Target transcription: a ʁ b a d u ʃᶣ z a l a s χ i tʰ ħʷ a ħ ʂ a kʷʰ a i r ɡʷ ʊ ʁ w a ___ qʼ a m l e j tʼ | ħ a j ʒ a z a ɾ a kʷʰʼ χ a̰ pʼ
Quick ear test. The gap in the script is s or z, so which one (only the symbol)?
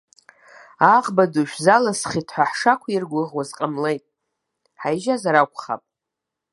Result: z